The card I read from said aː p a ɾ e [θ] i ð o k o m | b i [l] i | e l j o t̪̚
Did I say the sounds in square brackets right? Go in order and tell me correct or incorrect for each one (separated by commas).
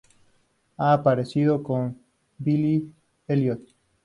incorrect, correct